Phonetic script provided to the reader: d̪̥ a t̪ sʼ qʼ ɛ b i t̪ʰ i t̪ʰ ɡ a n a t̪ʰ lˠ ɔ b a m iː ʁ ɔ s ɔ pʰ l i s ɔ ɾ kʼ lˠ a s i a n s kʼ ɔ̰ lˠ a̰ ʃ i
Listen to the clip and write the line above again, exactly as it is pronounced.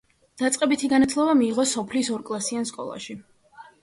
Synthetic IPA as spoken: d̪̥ a t̪ sʼ qʼ ɛ b i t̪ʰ i ɡ a n a t̪ʰ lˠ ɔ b a m iː ʁ ɔ s ɔ pʰ l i s ɔ ɾ kʼ lˠ a s i a n s kʼ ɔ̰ lˠ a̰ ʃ i